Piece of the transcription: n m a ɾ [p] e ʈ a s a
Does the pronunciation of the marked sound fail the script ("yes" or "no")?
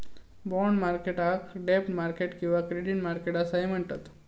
yes